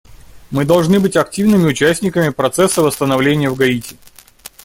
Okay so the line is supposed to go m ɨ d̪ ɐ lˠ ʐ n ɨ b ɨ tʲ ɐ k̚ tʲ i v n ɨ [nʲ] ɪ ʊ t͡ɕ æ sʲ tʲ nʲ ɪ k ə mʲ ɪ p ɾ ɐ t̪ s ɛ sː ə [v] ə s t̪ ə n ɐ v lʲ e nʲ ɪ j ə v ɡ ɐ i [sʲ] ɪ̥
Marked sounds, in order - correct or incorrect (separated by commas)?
incorrect, correct, incorrect